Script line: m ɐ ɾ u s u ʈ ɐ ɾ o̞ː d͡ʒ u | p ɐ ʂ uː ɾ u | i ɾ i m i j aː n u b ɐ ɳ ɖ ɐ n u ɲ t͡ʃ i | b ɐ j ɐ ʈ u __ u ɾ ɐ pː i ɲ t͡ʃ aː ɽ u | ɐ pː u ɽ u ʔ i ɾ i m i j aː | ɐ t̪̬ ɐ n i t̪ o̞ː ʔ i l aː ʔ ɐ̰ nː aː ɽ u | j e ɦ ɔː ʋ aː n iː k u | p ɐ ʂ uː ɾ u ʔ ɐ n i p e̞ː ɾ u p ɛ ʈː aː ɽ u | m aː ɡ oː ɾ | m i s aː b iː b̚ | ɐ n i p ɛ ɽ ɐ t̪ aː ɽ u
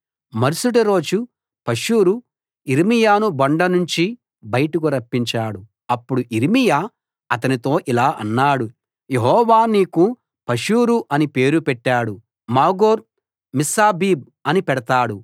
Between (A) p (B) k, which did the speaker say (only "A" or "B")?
B